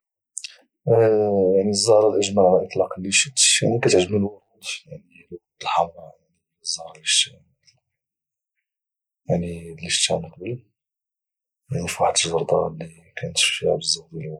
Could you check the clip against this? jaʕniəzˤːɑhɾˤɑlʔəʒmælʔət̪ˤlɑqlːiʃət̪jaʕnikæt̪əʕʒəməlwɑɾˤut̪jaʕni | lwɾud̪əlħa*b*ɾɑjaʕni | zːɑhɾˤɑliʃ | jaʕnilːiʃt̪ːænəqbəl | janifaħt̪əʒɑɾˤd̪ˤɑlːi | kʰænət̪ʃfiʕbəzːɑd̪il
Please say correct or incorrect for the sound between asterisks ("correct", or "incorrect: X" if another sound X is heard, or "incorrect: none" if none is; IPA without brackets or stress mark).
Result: incorrect: m